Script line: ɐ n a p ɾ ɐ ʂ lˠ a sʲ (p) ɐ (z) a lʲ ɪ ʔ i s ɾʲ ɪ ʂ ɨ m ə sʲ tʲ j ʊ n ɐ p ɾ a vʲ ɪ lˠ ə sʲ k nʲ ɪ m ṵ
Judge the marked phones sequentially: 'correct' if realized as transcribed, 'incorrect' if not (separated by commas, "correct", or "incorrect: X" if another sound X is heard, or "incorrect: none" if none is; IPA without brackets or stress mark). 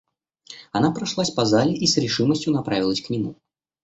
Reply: correct, correct